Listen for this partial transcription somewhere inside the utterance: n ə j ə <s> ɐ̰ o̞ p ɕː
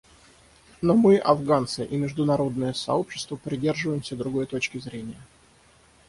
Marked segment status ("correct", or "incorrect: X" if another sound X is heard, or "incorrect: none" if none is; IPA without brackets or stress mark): correct